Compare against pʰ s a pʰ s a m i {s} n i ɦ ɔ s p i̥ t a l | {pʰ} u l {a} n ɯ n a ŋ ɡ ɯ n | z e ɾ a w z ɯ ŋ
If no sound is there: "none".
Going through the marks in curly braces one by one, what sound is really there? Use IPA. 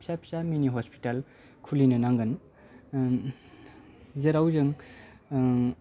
none, kʰ, i

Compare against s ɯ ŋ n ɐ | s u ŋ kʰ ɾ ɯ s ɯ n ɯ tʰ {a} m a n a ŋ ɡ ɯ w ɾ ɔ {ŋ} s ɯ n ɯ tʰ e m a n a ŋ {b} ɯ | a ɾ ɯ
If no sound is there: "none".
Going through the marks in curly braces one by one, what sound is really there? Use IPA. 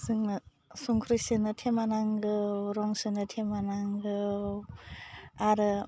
e, ŋ, ɡ

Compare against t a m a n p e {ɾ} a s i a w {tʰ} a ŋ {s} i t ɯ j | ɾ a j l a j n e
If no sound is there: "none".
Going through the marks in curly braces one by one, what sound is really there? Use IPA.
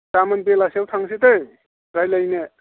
l, tʰ, s

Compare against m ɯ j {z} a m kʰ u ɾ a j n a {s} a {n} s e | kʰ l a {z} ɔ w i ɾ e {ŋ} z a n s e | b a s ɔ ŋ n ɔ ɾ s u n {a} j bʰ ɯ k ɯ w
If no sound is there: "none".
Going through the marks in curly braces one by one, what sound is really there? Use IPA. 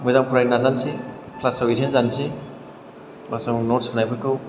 z, z, n, s, n, a

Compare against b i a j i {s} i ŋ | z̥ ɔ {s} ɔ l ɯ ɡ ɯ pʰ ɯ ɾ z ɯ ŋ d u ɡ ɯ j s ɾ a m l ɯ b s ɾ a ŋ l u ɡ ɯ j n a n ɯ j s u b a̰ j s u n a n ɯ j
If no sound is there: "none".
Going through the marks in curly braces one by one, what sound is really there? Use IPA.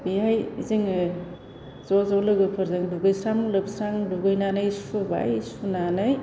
z, z

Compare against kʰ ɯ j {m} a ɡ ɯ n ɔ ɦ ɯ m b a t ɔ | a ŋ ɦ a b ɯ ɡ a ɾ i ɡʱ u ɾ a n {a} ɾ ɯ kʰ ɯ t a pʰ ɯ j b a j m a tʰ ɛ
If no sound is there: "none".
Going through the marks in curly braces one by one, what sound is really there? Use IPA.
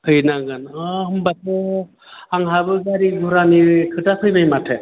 n, i

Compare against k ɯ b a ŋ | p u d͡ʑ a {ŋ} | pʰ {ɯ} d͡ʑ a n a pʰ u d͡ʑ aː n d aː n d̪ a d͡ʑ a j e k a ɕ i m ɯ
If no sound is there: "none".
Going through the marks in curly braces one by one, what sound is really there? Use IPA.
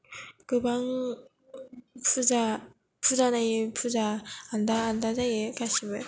none, u

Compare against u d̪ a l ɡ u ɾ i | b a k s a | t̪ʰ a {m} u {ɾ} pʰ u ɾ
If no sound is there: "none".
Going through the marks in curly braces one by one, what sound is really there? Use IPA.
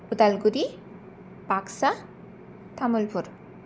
m, l

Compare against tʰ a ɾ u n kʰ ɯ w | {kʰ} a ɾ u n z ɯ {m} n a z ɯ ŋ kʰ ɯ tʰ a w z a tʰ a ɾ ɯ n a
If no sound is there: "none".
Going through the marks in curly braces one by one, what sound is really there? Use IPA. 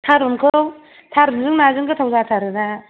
tʰ, ŋ

